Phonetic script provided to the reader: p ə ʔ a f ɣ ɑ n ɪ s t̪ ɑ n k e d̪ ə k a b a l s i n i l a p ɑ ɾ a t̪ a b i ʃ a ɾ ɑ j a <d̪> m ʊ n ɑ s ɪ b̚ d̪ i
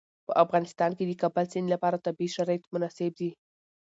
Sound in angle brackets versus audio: incorrect: t̪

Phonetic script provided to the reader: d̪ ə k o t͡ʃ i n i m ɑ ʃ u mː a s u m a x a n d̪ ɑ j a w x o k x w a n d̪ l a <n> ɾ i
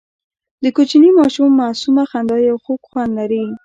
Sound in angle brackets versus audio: incorrect: none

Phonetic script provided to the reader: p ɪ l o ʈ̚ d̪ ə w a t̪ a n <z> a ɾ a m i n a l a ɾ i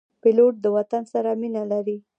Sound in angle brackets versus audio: incorrect: s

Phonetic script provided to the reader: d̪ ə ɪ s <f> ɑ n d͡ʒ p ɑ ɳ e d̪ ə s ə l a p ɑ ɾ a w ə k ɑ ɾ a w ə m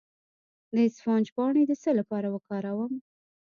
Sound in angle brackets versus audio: correct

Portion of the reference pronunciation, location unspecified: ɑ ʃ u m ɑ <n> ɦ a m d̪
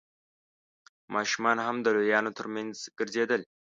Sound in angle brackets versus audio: correct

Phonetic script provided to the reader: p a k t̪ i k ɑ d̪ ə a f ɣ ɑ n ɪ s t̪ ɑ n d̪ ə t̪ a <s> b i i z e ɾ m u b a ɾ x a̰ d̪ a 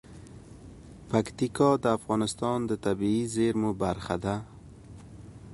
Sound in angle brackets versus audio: incorrect: none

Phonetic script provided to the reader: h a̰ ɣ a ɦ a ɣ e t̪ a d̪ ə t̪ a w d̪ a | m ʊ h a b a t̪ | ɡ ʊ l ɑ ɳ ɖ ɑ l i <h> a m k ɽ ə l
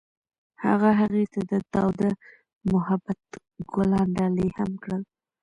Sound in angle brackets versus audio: correct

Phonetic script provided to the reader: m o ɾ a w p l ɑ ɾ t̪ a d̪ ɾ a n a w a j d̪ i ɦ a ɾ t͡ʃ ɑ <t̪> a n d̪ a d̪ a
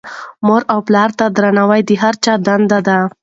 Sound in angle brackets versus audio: incorrect: d̪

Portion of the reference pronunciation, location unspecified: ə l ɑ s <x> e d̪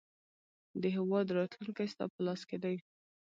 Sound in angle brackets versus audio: incorrect: k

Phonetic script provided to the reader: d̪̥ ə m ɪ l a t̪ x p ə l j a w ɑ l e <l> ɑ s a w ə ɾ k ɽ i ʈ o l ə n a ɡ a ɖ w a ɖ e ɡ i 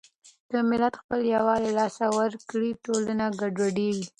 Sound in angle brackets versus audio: correct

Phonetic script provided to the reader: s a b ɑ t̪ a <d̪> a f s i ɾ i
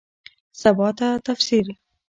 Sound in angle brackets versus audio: incorrect: t̪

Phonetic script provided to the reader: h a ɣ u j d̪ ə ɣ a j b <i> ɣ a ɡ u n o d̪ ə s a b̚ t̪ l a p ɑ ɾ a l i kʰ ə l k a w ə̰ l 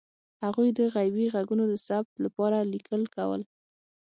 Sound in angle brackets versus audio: correct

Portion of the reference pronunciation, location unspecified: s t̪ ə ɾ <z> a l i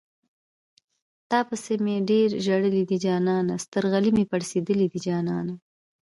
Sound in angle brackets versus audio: incorrect: ɣ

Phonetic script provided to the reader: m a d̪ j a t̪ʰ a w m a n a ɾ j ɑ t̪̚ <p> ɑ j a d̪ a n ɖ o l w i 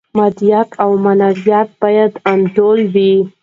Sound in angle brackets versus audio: incorrect: b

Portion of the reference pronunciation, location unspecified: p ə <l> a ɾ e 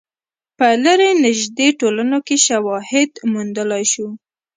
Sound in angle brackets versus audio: correct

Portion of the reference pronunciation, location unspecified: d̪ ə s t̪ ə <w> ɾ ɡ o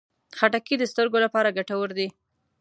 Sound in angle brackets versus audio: incorrect: none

